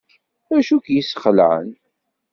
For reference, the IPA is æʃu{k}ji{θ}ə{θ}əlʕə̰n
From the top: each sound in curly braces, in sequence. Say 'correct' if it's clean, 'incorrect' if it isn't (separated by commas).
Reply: correct, incorrect, incorrect